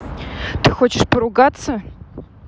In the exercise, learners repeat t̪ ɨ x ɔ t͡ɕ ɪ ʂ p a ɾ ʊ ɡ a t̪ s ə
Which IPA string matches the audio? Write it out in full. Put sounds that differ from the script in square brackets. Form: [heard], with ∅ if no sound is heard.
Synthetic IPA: t̪ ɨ x [o] t͡ɕ ɪ ʂ p [ə] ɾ ʊ ɡ a t̪ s ə